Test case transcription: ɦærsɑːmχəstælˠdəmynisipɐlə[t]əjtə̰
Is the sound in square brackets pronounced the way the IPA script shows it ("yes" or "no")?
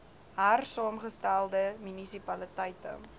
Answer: yes